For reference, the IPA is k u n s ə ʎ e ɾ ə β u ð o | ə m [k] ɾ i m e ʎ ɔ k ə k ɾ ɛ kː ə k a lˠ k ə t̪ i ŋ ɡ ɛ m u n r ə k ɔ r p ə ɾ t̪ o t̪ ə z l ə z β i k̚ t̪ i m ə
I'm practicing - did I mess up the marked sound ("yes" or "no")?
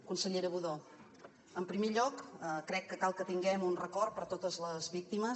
yes